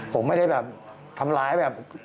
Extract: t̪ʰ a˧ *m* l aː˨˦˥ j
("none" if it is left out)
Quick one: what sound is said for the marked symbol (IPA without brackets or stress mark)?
m